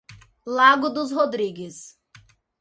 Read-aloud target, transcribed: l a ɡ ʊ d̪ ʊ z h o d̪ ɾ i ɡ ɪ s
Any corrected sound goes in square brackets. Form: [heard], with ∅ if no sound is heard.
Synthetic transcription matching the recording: l a ɡ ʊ d̪ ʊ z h o d̪ ɾ i ɡ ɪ s